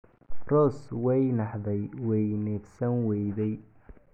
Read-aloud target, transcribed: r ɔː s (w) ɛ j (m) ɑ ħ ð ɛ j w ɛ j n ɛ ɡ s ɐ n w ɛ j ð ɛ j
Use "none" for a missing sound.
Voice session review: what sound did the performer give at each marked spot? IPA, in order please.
w, n

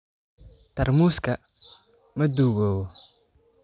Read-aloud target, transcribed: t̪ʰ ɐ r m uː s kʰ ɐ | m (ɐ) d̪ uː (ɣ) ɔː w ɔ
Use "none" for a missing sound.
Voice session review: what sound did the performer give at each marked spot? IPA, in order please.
ɐ, ɣ

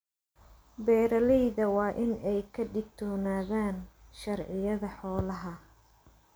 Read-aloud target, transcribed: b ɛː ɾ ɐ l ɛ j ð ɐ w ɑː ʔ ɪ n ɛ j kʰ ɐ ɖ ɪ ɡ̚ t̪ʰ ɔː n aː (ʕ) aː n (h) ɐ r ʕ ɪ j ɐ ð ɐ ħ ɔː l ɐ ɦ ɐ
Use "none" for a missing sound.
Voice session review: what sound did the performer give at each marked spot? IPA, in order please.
ð, ʃ

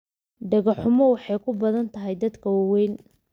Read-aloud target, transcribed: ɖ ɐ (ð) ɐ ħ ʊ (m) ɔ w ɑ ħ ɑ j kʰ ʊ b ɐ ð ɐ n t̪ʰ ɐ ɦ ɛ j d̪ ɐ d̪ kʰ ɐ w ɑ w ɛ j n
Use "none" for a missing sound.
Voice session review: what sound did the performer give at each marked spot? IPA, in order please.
ɣ, m

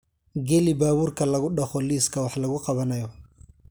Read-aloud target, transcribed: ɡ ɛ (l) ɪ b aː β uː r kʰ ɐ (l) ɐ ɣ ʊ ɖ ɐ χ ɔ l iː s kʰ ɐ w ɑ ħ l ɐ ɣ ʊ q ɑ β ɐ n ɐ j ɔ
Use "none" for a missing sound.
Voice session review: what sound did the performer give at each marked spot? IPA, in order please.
l, l

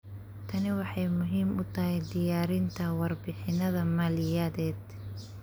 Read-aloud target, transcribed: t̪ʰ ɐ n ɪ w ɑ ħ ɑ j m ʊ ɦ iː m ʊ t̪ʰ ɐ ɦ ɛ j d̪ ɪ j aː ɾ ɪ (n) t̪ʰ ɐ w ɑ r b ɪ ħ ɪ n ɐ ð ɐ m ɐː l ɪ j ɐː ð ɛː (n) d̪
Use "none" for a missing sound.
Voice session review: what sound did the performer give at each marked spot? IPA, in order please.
n, none

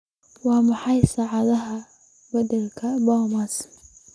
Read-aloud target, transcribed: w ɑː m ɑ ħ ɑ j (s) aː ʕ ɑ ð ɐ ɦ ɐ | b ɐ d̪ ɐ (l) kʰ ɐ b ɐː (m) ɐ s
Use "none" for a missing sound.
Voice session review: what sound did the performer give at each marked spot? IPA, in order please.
s, l, m

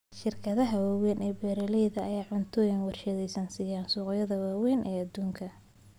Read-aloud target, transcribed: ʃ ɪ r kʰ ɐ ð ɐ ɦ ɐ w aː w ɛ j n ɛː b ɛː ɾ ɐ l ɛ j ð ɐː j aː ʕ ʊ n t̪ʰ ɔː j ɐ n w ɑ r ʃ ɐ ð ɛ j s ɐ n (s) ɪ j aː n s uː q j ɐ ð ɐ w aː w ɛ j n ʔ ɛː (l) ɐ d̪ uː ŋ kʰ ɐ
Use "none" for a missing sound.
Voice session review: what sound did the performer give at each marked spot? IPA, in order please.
s, none

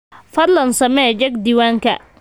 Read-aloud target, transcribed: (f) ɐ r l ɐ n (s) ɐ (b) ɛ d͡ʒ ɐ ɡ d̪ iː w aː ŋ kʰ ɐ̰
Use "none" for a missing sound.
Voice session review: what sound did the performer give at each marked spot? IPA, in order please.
f, s, m

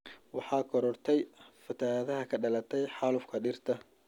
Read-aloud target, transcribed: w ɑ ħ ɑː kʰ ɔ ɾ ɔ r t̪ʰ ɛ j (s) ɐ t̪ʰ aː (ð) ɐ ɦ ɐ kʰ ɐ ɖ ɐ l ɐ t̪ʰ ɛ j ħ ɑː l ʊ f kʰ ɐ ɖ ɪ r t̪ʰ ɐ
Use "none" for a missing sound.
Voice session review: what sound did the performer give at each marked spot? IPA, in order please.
f, ð

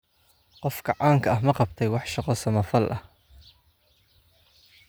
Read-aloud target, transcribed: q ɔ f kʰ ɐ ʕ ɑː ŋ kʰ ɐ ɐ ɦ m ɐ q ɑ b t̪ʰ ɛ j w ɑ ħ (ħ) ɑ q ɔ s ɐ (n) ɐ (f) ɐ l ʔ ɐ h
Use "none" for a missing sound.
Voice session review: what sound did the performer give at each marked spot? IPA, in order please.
ʃ, m, f

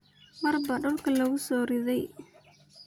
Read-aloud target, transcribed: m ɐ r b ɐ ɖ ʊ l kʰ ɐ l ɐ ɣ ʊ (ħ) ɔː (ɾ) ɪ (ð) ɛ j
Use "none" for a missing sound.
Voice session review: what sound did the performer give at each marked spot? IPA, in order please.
s, ɾ, ð

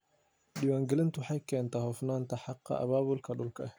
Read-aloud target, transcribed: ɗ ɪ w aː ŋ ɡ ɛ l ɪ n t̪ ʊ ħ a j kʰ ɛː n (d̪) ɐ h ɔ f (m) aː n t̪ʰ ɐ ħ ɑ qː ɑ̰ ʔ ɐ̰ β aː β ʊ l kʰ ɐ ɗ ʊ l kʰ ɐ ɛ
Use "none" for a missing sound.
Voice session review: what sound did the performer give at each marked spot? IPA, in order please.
t̪, n

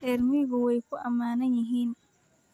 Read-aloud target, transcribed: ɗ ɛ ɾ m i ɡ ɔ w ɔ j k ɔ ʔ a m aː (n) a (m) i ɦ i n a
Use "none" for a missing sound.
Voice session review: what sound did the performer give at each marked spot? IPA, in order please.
n, ɲ

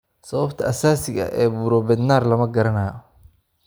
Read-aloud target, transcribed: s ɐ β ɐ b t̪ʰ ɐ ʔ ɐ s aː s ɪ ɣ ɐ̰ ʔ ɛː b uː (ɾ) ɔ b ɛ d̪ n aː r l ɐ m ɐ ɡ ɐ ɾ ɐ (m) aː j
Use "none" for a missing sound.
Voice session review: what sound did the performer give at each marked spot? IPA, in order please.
ɾ, n

